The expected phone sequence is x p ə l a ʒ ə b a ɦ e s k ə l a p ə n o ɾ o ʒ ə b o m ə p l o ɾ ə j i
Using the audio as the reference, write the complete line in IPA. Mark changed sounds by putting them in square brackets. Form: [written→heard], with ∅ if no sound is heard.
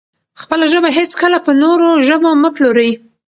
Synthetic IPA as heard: x p ə l a ʒ ə b a ɦ e [s→t͡s] k ə l a p ə n o ɾ o ʒ ə b o m ə p l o ɾ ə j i